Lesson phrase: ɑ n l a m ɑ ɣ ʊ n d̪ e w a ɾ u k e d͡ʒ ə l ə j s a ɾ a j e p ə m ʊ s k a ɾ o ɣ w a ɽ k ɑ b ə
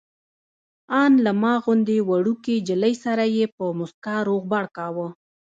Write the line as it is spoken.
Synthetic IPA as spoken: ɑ n l a m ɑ ɣ ʊ n d̪ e w a ɽ u k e d͡ʒ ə l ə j s a ɾ a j e p ə m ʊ s k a ɾ o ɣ b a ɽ k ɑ w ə